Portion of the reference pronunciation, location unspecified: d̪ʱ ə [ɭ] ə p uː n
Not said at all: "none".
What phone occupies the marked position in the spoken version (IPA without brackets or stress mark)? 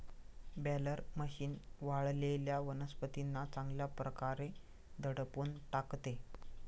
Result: ɽ